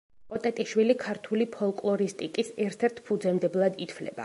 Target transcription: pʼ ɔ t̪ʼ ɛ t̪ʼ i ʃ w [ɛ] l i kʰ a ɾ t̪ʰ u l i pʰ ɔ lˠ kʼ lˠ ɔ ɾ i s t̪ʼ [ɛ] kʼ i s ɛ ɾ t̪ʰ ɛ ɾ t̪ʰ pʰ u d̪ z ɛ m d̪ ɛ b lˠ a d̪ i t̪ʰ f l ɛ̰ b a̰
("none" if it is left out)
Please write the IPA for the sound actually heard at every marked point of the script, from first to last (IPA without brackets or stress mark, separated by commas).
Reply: i, i